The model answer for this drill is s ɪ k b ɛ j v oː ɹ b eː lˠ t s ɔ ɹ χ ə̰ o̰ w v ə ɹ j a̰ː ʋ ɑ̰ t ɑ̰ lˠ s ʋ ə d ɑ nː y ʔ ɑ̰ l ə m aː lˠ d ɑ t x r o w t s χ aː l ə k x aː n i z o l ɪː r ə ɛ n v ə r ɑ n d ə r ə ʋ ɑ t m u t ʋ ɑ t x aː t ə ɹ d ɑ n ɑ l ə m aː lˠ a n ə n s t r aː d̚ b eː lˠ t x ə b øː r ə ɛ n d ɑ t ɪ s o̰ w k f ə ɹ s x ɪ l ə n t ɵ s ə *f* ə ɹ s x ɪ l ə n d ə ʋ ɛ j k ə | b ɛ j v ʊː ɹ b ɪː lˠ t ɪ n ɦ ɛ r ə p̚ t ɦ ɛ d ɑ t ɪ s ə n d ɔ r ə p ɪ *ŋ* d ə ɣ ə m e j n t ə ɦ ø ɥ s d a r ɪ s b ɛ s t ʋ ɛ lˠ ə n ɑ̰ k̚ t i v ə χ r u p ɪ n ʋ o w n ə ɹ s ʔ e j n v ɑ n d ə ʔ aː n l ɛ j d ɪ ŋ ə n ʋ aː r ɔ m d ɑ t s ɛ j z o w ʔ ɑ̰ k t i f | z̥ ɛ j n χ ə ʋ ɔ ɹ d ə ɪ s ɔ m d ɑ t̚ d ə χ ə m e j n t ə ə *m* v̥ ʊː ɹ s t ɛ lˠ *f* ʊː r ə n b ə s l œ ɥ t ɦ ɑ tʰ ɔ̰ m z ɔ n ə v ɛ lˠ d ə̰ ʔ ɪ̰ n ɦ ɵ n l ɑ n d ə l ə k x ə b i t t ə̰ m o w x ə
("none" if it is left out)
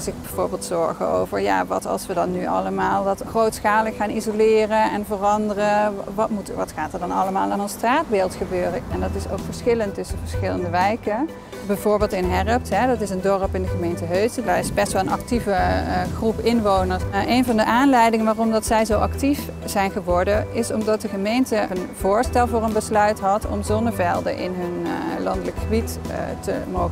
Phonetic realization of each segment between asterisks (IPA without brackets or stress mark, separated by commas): v, n, n, v